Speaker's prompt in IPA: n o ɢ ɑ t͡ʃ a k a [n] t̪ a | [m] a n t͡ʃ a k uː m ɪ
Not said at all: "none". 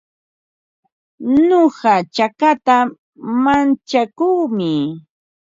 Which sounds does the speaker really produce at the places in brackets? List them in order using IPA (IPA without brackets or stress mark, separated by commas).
none, m